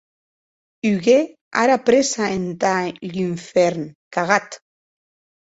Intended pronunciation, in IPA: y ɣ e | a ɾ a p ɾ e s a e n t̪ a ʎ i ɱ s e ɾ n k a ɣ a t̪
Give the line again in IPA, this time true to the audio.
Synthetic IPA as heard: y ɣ e | a ɾ a p ɾ e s a e n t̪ a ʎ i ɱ f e ɾ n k a ɣ a t̪